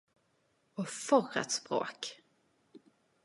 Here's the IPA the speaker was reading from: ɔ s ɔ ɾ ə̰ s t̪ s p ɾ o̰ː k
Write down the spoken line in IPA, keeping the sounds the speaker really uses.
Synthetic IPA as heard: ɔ f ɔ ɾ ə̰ t̪ s p ɾ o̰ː k